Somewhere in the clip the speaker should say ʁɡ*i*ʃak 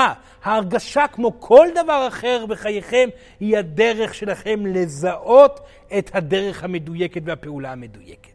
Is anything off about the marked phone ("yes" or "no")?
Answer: yes